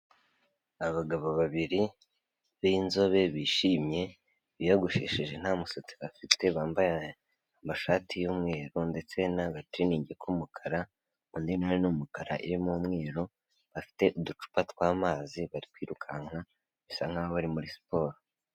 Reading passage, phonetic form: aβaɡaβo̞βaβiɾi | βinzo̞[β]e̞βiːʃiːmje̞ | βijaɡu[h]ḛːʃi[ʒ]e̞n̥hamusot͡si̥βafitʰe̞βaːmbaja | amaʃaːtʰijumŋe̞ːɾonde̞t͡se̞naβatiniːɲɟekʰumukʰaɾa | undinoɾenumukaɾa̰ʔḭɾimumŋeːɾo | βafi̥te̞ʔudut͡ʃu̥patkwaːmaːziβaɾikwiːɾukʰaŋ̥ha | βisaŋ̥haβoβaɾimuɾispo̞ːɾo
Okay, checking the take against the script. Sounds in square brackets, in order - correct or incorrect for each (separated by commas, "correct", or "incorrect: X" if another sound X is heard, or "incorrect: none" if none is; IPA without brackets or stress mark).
correct, incorrect: ʃ, correct